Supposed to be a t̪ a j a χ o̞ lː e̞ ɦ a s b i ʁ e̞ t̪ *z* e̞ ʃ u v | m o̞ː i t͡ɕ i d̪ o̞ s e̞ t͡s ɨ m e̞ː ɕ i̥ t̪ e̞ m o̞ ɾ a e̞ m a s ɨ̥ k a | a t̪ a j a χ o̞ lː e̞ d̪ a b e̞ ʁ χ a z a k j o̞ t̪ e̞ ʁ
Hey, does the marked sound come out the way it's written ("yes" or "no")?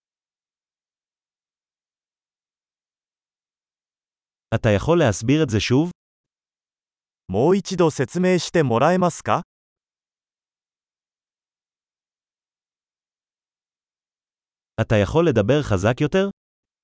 yes